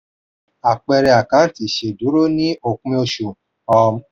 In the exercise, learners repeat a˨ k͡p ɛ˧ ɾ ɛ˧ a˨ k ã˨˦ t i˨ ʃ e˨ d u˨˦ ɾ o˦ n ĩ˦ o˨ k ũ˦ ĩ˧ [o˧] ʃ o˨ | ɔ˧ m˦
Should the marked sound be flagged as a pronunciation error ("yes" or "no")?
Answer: no